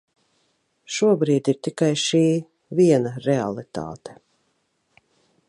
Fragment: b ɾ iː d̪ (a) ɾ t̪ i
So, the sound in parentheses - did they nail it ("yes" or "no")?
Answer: no